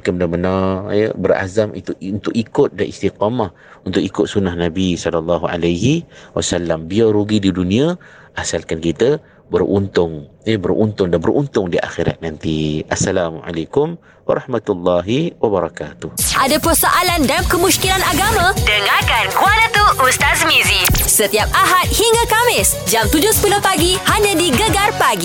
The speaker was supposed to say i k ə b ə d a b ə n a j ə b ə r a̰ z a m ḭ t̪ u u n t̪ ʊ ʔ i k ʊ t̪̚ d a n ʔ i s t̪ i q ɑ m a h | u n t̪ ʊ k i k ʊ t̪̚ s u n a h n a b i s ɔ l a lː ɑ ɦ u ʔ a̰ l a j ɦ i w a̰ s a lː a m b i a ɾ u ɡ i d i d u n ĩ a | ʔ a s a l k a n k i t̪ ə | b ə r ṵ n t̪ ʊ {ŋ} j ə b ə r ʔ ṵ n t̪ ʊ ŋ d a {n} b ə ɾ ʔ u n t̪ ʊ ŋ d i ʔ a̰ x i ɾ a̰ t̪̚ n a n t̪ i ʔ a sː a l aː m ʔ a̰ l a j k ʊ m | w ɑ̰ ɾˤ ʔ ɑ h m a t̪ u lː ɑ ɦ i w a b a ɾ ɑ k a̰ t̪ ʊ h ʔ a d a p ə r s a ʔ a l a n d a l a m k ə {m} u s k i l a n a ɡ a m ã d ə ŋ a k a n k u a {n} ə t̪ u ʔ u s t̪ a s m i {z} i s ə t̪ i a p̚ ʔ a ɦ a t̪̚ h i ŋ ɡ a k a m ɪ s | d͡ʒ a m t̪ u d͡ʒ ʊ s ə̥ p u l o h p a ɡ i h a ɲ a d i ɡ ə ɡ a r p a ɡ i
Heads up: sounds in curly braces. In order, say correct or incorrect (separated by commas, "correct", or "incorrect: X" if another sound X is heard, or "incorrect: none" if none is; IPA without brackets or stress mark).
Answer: correct, correct, correct, correct, correct